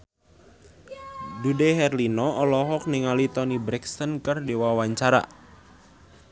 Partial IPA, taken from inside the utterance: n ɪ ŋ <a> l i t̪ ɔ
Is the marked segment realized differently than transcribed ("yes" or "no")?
no